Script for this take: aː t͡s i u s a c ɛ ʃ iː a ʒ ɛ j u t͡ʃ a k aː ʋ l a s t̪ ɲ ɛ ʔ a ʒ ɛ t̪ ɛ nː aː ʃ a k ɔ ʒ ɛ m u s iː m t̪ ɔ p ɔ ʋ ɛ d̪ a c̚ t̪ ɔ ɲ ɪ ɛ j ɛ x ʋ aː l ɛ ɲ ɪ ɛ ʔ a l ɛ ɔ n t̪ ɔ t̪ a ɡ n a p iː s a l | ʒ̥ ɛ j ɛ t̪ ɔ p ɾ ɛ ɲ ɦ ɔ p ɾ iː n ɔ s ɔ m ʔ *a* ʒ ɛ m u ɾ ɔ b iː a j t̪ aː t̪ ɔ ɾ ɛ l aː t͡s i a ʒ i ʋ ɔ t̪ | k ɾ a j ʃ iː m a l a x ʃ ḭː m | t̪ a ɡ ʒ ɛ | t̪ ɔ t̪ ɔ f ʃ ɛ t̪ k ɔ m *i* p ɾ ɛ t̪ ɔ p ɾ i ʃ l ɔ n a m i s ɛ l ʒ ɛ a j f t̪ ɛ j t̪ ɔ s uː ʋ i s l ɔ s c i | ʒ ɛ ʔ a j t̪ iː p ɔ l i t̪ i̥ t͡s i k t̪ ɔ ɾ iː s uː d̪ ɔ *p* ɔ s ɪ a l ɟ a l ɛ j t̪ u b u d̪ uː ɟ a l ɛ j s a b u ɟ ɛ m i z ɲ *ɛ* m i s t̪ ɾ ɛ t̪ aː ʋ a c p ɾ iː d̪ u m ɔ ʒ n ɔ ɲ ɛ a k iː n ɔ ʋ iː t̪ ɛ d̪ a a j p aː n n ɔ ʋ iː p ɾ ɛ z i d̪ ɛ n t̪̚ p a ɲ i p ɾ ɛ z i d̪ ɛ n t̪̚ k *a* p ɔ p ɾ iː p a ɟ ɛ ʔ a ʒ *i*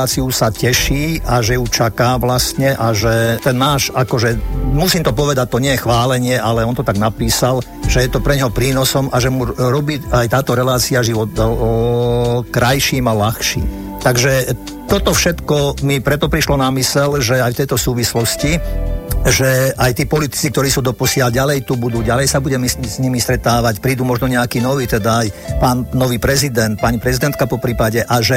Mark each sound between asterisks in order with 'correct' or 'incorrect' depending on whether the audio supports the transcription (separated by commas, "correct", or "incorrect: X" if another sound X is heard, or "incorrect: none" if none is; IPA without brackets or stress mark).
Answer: correct, correct, correct, incorrect: i, correct, incorrect: ɛ